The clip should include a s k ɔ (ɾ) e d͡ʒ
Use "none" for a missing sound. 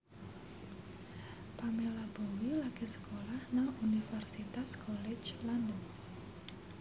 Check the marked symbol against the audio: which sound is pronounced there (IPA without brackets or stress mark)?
l